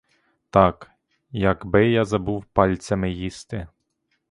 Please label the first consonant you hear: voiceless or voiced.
voiceless